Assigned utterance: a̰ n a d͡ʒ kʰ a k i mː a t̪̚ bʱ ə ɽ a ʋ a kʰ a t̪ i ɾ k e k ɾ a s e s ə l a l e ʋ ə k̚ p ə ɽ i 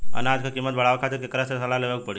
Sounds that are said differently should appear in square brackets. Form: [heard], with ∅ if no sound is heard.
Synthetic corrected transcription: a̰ n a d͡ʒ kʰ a k i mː [ə] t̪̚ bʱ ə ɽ a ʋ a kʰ a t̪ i ɾ k e k ɾ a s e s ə l a l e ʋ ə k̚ p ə ɽ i